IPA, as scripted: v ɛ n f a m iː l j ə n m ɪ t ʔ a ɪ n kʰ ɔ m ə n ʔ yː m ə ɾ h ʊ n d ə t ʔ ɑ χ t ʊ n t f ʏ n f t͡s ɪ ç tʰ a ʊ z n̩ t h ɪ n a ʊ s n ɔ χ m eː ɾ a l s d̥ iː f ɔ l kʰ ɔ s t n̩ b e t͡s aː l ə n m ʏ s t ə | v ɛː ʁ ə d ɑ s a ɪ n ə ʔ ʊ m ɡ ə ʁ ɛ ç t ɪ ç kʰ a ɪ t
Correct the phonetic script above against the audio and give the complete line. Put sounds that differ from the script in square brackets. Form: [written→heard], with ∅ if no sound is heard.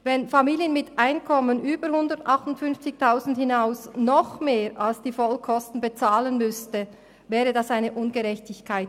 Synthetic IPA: v ɛ n f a m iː l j ə n m ɪ t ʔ a ɪ n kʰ ɔ m ə n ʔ yː [m→b] ə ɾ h ʊ n d ə t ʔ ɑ χ t ʊ n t f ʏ n f t͡s ɪ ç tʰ a ʊ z n̩ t h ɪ n a ʊ s n ɔ χ m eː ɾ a l s d̥ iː f ɔ l kʰ ɔ s t n̩ b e t͡s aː l ə n m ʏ s t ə | v ɛː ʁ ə d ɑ s a ɪ n ə ʔ ʊ [m→n] ɡ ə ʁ ɛ ç t ɪ ç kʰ a ɪ t